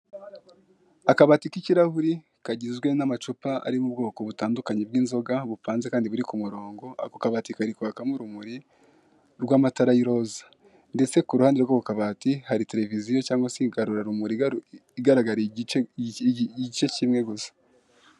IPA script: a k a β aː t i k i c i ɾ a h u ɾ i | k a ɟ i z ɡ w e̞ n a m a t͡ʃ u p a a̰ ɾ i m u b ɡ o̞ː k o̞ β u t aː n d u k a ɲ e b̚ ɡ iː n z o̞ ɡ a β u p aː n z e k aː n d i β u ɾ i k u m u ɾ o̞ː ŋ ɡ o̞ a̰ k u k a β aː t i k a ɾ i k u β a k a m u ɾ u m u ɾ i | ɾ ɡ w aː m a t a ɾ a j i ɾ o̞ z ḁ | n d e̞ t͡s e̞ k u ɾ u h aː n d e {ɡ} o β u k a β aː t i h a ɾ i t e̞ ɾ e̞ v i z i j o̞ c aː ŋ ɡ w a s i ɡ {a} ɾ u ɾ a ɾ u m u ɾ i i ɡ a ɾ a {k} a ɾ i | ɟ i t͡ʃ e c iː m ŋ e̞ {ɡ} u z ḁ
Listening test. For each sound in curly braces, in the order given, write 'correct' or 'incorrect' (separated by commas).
correct, correct, incorrect, correct